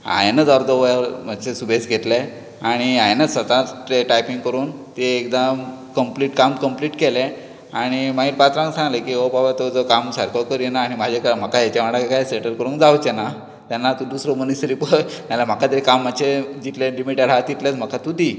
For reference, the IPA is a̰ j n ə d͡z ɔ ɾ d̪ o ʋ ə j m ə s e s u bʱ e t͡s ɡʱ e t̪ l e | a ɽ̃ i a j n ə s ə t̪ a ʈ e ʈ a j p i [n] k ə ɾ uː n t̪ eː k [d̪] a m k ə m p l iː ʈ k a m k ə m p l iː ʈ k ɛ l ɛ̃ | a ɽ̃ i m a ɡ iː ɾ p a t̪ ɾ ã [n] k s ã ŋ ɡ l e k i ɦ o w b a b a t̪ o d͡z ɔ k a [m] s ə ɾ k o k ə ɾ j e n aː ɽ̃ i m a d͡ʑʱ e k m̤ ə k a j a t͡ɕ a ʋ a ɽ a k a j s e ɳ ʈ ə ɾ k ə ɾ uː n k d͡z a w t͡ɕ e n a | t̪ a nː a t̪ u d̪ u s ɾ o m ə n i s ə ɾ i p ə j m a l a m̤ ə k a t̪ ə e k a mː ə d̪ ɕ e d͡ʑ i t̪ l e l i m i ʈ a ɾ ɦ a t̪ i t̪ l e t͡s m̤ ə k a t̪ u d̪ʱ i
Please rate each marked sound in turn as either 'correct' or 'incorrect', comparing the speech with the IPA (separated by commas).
incorrect, correct, incorrect, correct